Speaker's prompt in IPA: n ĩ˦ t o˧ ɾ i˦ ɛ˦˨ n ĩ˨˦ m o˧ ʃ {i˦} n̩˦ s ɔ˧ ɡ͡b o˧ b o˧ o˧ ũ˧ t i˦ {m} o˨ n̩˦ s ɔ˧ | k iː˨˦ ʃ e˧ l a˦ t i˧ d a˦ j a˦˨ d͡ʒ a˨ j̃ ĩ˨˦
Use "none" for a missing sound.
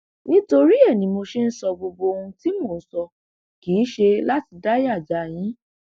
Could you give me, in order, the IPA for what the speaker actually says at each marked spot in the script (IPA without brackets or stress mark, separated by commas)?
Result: e˦, m